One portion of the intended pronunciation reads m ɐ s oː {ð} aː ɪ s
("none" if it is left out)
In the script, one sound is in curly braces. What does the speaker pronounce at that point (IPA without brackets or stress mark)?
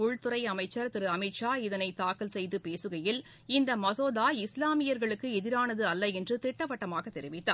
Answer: ð